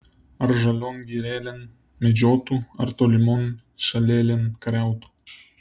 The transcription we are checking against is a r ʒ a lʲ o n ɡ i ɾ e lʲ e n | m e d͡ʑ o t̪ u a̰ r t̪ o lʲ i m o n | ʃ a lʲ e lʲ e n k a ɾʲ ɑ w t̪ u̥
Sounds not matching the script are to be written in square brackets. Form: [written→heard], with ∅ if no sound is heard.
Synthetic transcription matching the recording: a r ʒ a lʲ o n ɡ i ɾ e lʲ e n | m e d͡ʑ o t̪ u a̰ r t̪ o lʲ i m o n | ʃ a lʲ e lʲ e n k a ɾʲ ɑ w t̪ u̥